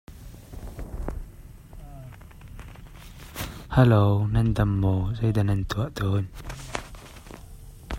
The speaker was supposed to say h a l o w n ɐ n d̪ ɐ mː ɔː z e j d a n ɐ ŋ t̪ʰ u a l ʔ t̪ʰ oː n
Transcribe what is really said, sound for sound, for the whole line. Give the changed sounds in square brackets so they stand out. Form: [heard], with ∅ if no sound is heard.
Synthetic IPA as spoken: h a l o w n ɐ n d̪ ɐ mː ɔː z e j d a n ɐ [n] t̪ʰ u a [∅] ʔ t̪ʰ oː n